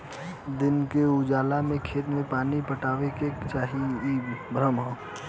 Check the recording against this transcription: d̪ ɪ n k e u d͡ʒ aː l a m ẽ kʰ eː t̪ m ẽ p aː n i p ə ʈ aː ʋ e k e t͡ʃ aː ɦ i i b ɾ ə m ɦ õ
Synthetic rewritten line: d̪ ɪ n k e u d͡ʒ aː l a m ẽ kʰ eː t̪ m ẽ p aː n i p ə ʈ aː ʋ e k e t͡ʃ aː ɦ i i b ɾ ə m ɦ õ

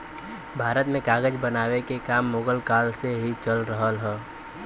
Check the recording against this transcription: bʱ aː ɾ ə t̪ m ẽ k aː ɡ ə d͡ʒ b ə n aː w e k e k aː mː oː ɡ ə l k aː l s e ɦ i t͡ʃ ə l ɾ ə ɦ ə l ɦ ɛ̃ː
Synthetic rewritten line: bʱ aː ɾ ə t̪ m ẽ k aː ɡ ə d͡ʒ b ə n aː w e k e k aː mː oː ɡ ə l k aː l s e ɦ i t͡ʃ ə l ɾ ə ɦ ə l ɦ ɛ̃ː

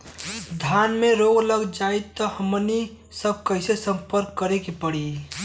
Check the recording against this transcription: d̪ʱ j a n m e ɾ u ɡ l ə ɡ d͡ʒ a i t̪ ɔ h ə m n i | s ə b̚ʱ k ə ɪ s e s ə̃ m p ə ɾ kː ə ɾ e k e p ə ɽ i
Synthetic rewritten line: d̪ʱ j a n m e ɾ o ɡ l ə ɡ d͡ʒ a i t̪ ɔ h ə m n i | s ə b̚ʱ k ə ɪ s e s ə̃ m p ə ɾ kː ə ɾ e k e p ə ɽ i

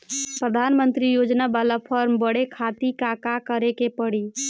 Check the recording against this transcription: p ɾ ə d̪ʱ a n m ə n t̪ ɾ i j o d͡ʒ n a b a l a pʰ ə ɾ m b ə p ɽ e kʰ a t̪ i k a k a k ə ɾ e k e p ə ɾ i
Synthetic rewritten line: p ɾ ə d̪ʱ a n m ə n t̪ ɾ i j o d͡ʒ n a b a l a pʰ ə ɾ m b ə ɽ e kʰ a t̪ i k a k a k ə ɾ e k e p ə ɽ i

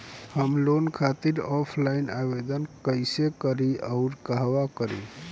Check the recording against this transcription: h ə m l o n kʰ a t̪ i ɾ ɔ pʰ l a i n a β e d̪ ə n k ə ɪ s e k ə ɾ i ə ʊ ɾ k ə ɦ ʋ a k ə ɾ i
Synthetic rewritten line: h ə m l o n kʰ a t̪ i ɾ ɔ pʰ l a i n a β e d̪ ə n k ə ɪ s e k ə ɾ i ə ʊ ɾ k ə ɦ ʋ a k ə ɾ i

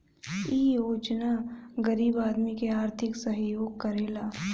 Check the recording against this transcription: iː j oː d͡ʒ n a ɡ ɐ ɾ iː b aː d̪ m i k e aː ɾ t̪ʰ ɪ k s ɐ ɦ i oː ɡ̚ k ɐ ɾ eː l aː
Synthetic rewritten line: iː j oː d͡ʒ n a ɡ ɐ ɾ iː b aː d̪ m i k e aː ɾ t̪ʰ ɪ k s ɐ ɦ j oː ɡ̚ k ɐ ɾ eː l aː

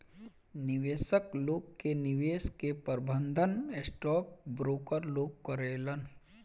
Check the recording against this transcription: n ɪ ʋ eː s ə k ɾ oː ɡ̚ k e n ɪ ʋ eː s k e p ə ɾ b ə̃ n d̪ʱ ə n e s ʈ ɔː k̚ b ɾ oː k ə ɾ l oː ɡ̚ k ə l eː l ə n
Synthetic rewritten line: n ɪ ʋ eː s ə k l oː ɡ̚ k e n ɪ ʋ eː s k e p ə ɾ b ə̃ n d̪ʱ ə n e s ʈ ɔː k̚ b ɾ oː k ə ɾ l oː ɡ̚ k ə ɾ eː l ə n

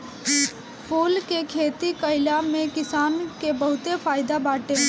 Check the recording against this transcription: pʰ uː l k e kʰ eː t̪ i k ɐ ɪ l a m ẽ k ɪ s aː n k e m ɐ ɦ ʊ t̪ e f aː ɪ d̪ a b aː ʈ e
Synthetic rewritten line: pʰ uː l k e kʰ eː t̪ i k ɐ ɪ l a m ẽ k ɪ s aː n k e b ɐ ɦ ʊ t̪ e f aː ɪ d̪ a b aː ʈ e

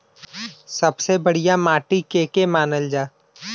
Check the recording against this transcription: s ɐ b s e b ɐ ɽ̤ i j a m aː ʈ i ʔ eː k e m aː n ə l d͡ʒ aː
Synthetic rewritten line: s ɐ b s e b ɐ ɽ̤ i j a m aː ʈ i k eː k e m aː n ə l d͡ʒ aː

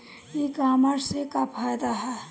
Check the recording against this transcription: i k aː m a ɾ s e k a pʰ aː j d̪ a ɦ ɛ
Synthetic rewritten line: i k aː m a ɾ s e k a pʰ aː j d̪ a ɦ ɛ

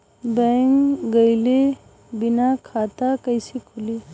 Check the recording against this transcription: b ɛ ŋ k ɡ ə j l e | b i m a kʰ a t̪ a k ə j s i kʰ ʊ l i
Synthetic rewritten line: b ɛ ŋ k ɡ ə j l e | b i n a kʰ a t̪ a k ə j s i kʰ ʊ l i

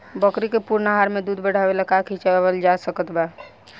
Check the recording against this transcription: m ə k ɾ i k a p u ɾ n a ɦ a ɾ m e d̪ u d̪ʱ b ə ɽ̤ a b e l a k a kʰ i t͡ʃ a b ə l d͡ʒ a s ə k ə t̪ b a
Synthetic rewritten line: b ə k ɾ i k e p u ɾ n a ɦ a ɾ m e d̪ u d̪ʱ b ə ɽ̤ a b e l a k a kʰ i t͡ʃ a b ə l d͡ʒ a s ə k ə t̪ b a

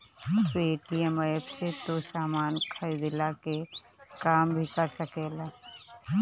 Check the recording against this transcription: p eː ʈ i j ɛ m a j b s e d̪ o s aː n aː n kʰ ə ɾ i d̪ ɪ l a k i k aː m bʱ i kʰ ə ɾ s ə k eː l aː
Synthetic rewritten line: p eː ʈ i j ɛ m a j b s e t̪ o s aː m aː n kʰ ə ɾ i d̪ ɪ l a k e k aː m bʱ i k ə ɾ s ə k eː l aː

